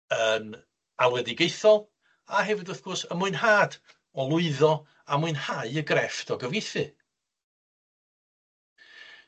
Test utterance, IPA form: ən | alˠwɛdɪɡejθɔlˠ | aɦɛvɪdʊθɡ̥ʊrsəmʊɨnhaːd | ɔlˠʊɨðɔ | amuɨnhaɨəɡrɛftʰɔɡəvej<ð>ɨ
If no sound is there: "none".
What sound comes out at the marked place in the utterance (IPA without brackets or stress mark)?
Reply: θ